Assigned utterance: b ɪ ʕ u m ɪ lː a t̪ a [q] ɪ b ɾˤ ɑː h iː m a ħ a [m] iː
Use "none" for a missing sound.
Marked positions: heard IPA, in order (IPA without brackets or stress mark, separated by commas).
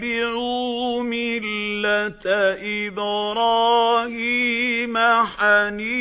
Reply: ʔ, n